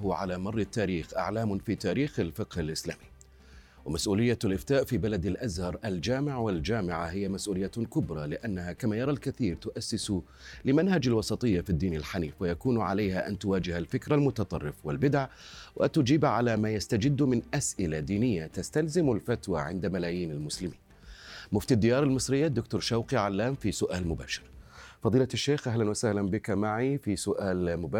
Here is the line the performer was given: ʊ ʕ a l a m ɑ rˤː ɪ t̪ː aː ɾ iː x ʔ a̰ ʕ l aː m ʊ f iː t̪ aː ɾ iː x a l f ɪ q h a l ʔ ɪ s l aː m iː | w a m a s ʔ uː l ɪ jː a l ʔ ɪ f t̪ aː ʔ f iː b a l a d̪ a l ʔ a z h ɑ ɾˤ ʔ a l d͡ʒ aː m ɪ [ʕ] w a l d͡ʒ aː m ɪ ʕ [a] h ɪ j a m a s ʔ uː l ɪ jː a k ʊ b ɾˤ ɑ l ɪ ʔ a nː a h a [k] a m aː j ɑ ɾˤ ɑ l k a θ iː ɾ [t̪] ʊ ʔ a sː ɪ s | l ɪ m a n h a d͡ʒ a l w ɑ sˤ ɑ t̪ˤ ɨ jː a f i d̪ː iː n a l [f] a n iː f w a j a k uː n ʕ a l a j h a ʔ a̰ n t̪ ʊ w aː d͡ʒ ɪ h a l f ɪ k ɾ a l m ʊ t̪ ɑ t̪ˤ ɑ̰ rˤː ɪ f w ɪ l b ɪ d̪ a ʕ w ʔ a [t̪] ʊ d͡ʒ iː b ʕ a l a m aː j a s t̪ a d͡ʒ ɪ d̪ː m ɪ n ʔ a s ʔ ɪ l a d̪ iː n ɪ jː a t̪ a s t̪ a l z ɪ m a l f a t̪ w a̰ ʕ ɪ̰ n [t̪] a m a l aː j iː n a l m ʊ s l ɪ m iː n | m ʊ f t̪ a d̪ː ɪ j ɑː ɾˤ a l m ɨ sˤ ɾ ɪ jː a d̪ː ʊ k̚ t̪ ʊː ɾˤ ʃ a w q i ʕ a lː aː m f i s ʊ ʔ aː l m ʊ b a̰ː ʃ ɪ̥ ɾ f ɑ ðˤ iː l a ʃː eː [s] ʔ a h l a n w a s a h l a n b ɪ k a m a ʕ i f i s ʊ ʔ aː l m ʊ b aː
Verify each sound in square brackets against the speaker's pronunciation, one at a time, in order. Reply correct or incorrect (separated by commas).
correct, correct, correct, correct, incorrect, correct, incorrect, incorrect